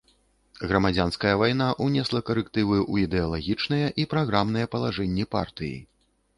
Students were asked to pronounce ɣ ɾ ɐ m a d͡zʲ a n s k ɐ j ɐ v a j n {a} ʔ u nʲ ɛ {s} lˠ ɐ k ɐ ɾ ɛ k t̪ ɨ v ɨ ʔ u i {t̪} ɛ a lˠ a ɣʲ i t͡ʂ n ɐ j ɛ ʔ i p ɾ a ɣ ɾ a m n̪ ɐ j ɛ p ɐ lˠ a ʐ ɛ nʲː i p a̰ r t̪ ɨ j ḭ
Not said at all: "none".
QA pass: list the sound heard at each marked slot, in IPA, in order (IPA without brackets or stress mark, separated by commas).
a, s, d̪